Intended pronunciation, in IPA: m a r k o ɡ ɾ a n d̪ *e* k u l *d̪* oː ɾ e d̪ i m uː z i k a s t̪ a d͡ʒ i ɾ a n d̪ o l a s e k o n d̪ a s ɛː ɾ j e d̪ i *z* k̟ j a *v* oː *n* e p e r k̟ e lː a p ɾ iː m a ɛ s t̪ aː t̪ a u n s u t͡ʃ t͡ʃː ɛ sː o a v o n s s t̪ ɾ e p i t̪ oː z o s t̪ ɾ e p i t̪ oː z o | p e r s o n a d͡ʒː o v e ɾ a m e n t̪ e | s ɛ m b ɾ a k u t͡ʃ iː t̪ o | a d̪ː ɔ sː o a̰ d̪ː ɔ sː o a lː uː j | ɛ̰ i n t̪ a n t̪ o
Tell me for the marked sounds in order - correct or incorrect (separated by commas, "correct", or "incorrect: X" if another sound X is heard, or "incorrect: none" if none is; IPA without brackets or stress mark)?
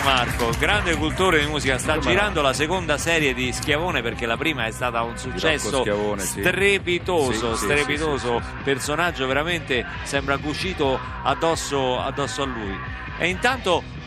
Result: correct, incorrect: t̪, incorrect: s, correct, correct